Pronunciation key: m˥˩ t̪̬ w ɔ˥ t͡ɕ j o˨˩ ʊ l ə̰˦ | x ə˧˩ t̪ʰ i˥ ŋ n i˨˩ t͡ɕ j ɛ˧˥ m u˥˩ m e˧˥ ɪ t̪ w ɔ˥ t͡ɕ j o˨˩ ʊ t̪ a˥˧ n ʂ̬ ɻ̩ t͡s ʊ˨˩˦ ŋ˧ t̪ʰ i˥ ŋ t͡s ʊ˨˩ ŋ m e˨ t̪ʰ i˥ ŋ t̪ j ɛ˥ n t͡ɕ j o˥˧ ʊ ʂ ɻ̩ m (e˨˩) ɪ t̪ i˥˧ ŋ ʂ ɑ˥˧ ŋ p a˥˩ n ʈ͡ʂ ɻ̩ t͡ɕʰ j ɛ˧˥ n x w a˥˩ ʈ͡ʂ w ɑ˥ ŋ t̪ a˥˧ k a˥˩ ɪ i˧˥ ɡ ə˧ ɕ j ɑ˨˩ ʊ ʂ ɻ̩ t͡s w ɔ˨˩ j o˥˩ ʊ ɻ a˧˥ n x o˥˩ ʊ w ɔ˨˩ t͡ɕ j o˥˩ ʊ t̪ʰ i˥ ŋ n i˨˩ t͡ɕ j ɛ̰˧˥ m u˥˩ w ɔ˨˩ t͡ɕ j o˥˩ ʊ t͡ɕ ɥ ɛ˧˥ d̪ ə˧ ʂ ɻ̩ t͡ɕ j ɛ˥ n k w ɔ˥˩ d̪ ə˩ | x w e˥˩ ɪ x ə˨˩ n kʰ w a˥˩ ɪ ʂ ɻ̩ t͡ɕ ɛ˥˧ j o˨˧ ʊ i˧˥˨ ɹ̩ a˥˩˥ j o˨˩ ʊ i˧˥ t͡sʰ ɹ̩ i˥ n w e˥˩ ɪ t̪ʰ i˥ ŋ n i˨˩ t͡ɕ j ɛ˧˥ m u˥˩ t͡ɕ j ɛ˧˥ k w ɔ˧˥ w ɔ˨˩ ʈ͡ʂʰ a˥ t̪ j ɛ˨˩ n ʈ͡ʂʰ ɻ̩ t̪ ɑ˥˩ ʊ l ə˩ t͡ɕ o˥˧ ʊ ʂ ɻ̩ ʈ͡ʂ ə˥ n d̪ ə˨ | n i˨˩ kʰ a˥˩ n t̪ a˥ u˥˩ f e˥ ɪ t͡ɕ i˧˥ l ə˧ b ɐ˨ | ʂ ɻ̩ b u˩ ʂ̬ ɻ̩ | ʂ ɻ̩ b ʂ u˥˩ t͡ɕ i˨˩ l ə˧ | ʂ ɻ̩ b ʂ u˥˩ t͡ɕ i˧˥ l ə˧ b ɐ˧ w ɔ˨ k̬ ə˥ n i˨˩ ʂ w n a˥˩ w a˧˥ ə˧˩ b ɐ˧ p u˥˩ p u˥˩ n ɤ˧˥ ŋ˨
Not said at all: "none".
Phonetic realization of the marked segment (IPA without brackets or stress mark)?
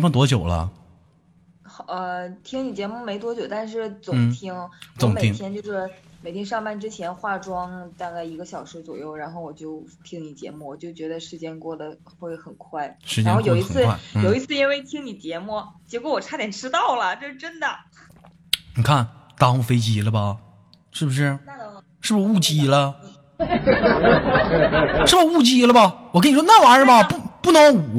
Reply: e˨˩